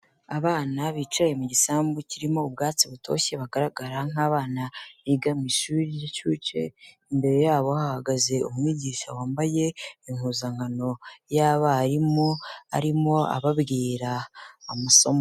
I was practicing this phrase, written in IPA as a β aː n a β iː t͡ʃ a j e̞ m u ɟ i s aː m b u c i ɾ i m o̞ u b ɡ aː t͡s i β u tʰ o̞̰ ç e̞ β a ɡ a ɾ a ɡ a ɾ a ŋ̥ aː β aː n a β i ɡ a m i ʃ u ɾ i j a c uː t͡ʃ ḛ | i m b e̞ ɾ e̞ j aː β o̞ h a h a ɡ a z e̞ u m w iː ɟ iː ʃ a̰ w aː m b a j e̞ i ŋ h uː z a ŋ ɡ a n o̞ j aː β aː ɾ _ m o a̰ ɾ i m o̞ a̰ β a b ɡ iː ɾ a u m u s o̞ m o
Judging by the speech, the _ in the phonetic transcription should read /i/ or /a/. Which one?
i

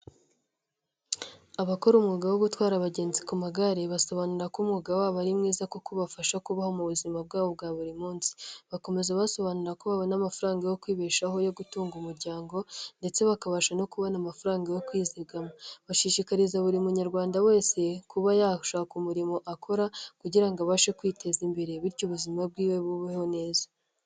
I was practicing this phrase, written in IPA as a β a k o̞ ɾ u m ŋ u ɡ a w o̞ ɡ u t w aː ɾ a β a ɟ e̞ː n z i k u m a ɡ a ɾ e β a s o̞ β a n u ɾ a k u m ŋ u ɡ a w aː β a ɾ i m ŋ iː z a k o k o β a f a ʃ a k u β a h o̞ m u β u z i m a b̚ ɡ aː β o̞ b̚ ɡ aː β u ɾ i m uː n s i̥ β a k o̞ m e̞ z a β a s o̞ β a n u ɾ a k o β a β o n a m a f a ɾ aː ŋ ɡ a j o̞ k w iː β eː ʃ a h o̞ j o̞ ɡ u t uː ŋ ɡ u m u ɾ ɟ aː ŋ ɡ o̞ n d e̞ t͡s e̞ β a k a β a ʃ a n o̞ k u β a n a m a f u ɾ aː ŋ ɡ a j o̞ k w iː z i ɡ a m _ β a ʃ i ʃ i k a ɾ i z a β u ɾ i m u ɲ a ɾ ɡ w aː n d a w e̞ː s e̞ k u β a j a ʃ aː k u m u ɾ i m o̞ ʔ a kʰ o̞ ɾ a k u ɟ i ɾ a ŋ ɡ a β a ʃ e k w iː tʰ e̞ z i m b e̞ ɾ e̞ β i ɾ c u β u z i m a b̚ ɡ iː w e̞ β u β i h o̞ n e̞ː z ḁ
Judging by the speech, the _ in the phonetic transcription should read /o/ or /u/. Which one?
o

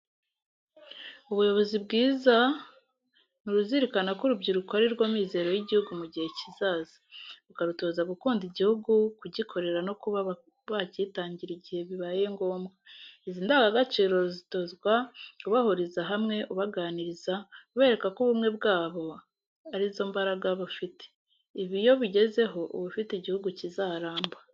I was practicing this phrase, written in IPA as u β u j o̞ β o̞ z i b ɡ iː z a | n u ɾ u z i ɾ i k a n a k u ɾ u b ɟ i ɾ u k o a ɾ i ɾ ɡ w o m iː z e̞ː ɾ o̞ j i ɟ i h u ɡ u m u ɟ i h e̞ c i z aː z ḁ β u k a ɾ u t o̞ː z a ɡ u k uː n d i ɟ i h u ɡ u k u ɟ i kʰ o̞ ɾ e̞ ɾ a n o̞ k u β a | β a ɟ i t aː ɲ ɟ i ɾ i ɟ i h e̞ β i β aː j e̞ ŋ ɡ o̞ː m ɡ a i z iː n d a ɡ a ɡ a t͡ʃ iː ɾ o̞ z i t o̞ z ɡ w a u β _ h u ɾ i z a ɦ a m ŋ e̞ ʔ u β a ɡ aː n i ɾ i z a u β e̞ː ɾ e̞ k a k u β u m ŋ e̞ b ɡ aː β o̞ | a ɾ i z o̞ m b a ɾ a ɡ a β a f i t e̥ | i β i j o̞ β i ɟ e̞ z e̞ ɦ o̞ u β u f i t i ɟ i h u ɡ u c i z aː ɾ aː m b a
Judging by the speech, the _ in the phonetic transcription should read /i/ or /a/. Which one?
a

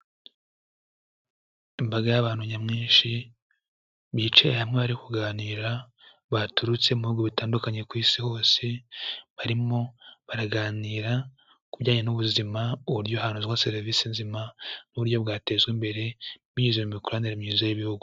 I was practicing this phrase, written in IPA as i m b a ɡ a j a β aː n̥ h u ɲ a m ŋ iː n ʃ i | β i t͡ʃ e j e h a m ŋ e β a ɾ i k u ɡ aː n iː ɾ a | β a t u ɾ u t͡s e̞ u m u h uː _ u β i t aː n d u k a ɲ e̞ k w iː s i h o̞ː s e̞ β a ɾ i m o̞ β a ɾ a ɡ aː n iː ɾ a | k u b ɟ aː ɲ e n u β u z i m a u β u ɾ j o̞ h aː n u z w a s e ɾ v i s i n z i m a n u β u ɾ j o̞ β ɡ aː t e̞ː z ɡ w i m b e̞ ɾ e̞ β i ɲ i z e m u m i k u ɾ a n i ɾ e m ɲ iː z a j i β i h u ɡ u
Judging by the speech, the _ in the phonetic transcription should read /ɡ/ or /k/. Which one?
ɡ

